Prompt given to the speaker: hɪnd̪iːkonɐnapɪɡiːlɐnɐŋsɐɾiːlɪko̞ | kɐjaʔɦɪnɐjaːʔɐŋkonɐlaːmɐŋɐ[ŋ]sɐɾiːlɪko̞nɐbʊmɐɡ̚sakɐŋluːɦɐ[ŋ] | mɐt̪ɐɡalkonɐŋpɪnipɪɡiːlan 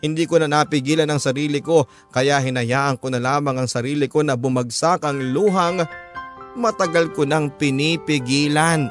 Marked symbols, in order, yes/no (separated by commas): yes, yes